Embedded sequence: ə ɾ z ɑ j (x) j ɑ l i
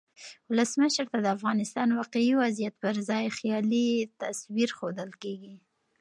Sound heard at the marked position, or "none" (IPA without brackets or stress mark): x